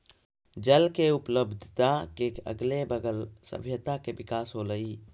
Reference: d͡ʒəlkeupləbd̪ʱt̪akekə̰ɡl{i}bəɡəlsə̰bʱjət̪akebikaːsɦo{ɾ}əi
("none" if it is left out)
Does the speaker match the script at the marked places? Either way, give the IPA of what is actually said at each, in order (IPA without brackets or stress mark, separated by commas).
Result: e, l